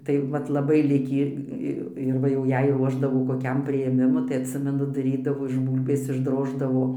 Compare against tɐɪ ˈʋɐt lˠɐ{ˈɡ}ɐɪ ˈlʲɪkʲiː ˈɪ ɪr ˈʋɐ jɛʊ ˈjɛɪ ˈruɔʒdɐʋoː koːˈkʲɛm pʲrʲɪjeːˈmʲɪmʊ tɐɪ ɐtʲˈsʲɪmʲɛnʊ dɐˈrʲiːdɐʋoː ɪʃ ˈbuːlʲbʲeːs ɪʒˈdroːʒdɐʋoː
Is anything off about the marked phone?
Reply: yes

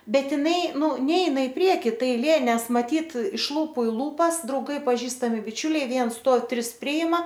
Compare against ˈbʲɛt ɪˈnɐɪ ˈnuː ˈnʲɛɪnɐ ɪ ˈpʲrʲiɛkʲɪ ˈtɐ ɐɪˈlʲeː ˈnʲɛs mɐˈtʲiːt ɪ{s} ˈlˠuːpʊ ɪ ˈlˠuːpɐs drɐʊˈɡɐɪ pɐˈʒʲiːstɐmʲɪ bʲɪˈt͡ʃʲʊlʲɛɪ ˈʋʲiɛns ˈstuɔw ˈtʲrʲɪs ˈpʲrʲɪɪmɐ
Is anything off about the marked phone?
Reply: yes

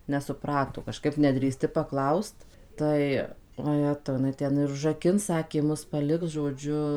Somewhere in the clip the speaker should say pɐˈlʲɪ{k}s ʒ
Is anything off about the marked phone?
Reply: no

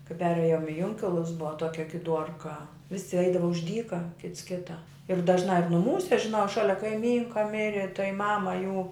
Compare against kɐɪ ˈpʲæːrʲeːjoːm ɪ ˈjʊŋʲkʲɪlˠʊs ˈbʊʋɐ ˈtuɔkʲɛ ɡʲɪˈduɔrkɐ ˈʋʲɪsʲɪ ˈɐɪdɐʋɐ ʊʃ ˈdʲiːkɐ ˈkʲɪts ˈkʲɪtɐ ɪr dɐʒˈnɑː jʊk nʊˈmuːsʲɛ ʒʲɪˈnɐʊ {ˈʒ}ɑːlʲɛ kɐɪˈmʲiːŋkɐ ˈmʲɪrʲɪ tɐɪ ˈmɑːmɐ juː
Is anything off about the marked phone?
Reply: yes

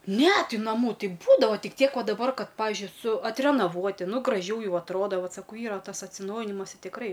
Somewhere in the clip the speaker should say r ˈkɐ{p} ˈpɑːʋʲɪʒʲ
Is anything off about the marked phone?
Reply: yes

